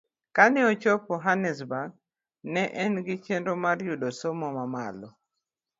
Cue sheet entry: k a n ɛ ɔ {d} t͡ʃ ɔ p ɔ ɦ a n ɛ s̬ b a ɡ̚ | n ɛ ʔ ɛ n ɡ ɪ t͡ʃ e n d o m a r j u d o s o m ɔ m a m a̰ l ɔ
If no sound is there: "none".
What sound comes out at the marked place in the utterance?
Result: none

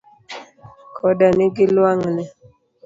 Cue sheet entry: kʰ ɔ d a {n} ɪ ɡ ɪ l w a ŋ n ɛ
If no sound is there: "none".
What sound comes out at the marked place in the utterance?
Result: n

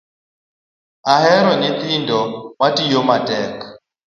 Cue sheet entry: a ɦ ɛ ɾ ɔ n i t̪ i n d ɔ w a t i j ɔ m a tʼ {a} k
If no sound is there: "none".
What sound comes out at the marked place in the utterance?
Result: ɛ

